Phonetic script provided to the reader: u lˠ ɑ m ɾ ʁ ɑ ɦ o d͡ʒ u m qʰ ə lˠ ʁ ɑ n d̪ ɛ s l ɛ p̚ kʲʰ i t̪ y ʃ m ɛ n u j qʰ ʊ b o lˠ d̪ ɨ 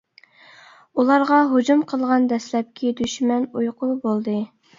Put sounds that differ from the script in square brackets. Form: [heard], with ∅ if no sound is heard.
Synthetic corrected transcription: u lˠ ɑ [∅] ɾ ʁ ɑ ɦ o d͡ʒ u m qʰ ə lˠ ʁ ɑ n d̪ ɛ s l ɛ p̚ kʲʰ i [d̪] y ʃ m ɛ n u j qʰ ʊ b o lˠ d̪ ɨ